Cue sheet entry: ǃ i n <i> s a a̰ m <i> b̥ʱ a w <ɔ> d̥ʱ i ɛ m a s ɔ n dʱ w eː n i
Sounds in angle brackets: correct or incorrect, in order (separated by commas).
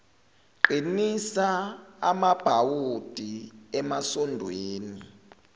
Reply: correct, incorrect, incorrect